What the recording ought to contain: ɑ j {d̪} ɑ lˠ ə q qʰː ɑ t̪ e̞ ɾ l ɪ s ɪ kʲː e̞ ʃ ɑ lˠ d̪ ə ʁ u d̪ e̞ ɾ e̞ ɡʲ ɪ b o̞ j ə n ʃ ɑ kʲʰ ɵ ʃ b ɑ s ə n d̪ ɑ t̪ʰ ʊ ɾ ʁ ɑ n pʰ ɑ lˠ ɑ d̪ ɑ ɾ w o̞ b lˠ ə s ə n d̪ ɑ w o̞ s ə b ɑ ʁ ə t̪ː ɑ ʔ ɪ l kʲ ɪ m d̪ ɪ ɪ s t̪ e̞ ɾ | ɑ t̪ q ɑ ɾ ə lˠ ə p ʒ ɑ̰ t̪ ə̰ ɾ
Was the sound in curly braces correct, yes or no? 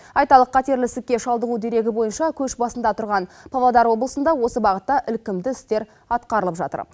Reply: no